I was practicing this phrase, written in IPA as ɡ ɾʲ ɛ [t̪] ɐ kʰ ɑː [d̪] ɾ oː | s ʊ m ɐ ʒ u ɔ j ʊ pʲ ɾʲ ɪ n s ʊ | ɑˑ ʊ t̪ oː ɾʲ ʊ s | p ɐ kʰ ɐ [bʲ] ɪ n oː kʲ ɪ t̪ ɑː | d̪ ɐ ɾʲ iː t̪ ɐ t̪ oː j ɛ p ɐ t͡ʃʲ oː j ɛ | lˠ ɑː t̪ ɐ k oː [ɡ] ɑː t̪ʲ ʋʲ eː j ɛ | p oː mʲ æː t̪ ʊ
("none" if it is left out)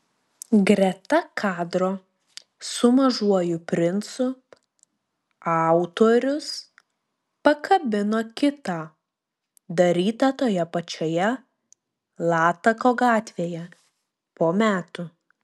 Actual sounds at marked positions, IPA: t̪, d̪, bʲ, ɡ

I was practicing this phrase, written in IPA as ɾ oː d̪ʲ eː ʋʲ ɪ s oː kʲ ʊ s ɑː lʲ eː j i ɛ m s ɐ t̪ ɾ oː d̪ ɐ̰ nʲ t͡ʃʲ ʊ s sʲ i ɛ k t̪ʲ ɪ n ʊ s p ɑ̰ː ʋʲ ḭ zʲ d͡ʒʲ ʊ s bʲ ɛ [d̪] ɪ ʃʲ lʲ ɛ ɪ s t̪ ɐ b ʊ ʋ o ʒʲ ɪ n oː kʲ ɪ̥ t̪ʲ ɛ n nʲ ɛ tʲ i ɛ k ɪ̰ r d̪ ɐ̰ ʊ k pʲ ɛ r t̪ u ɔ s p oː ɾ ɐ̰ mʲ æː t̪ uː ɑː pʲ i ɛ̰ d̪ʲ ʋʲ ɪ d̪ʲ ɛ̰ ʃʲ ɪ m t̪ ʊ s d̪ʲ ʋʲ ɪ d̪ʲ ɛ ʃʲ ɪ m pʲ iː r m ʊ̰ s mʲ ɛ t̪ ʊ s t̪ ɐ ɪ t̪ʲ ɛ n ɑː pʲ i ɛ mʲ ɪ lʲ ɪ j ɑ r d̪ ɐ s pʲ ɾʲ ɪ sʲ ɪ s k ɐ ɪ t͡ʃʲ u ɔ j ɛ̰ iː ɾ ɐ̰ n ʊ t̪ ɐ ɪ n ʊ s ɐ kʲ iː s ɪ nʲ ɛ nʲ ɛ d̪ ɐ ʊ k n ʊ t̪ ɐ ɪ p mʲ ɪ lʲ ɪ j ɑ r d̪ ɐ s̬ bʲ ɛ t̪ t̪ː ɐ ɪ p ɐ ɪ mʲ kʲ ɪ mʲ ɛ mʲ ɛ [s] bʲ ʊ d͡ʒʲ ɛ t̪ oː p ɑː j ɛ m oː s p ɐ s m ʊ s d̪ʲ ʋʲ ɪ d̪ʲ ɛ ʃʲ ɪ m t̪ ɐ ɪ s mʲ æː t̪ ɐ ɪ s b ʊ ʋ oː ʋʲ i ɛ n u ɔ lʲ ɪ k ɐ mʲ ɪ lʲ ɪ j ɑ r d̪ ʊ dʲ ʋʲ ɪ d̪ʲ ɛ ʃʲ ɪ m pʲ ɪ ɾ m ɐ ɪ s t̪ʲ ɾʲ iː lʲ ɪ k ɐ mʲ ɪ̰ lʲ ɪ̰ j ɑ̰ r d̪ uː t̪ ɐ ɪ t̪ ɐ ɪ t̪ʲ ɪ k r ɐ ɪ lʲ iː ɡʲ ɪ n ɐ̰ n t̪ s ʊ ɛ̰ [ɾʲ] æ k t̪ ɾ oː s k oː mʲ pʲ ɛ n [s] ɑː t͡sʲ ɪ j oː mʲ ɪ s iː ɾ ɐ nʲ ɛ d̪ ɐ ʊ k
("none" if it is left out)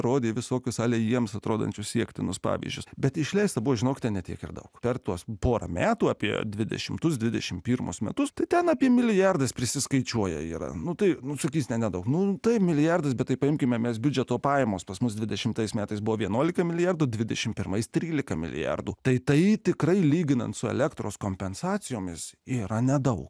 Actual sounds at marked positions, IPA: t̪, s, lʲ, s

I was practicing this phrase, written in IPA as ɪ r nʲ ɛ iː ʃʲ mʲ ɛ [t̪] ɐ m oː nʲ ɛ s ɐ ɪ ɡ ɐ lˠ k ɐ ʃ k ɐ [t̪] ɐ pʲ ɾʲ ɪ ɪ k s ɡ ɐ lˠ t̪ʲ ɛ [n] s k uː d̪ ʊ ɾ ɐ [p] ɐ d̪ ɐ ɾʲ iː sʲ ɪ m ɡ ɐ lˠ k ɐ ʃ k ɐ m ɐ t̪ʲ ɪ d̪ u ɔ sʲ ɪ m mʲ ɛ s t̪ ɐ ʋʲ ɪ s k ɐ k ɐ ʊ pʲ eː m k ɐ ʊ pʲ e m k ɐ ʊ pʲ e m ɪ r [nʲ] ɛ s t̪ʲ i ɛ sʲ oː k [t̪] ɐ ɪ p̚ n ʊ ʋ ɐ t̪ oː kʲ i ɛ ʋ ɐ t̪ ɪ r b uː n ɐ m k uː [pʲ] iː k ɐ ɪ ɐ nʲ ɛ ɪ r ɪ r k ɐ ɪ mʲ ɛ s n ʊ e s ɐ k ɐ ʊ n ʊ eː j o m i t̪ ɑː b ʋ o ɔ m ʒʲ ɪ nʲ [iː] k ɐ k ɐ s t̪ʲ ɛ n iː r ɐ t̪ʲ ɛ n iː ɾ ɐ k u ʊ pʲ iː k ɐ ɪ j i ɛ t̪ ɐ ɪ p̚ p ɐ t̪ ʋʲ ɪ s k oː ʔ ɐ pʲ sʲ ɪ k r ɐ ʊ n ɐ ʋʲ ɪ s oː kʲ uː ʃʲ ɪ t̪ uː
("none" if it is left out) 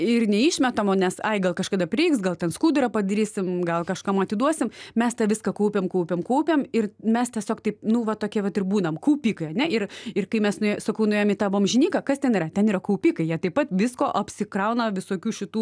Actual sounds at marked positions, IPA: t̪, d̪, n, p, mʲ, t̪, pʲ, iː

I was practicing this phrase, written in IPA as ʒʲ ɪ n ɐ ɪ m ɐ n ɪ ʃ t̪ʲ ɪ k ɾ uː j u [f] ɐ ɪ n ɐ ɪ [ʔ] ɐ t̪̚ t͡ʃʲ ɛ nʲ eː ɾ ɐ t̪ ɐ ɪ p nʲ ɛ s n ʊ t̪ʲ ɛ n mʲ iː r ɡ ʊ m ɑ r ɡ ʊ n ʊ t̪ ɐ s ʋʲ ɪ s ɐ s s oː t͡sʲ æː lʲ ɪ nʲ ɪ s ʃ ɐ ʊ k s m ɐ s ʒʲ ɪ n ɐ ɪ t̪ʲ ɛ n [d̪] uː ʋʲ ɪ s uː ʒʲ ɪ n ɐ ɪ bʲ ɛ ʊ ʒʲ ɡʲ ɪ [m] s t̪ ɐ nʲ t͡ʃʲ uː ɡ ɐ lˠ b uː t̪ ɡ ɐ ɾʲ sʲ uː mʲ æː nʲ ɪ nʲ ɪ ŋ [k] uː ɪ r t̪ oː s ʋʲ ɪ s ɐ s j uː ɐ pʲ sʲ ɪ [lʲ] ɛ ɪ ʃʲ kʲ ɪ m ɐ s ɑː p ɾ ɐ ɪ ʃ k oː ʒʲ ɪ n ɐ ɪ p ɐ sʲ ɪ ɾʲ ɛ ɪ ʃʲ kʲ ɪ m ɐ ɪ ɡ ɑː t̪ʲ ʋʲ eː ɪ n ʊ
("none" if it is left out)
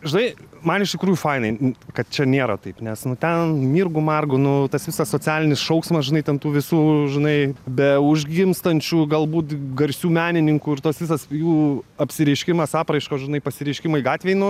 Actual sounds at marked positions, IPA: f, k, t̪, m, k, ɾʲ

